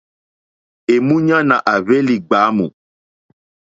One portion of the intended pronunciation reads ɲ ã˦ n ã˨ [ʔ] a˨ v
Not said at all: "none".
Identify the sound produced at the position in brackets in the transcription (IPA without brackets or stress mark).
ʔ